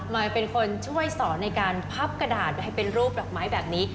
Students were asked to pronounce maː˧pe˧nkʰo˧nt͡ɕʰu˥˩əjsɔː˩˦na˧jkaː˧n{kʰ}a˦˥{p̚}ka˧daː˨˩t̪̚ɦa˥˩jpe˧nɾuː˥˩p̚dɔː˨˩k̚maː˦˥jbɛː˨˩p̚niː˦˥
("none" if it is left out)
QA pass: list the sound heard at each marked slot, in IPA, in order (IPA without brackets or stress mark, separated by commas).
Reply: pʰ, p̚